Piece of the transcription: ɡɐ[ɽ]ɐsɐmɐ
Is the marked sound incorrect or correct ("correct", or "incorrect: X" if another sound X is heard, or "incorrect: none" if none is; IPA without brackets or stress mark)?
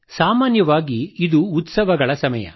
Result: incorrect: ɭ